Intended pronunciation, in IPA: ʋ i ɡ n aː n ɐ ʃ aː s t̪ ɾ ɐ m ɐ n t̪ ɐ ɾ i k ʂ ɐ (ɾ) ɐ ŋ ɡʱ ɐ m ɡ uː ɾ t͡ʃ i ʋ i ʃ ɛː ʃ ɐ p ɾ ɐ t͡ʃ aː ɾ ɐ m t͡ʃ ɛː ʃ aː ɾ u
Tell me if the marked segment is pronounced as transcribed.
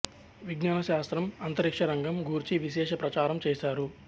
yes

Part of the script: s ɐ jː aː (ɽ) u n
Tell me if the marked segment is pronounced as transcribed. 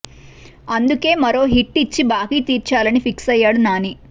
yes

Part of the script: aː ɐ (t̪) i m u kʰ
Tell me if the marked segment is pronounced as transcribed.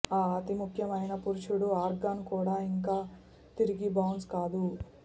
yes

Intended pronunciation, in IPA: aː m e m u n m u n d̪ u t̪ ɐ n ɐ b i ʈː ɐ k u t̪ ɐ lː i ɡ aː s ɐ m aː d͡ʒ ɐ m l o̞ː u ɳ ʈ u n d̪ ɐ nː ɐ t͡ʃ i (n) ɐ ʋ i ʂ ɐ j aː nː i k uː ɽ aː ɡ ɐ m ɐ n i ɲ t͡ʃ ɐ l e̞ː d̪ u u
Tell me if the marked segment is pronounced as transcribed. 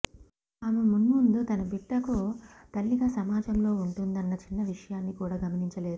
no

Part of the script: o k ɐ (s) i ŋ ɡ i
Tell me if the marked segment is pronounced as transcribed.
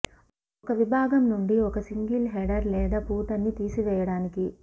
yes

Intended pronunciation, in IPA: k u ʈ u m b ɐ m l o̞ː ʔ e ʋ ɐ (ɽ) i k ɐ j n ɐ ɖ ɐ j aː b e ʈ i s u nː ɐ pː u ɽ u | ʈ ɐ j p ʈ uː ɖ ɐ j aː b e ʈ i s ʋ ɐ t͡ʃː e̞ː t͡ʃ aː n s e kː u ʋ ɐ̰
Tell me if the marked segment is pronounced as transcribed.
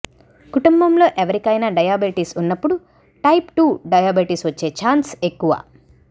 no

